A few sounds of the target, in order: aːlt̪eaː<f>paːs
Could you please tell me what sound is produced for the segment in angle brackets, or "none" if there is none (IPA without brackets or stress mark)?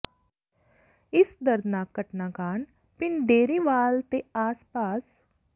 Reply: s